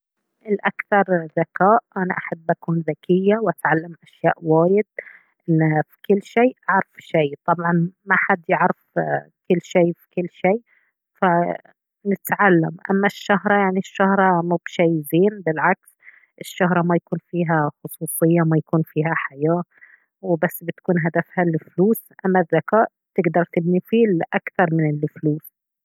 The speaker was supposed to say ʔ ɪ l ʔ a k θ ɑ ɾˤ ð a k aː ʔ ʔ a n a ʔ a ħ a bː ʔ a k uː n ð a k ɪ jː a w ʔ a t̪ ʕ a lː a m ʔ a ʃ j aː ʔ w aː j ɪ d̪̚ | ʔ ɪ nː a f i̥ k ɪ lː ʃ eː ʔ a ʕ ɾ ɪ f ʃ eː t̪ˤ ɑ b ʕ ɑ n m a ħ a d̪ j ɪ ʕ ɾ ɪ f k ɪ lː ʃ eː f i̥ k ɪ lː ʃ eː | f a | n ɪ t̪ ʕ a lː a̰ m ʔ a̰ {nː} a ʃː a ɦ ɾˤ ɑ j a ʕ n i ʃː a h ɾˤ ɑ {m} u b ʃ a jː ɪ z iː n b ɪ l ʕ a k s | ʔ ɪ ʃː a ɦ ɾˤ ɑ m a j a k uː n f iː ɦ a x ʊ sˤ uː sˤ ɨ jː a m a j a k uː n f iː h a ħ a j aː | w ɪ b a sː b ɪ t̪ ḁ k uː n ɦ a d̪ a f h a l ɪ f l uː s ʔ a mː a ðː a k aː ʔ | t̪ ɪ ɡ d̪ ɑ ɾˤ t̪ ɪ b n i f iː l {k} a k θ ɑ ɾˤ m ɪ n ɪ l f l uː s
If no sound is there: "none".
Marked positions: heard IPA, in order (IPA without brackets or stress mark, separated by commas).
mː, m, ʔ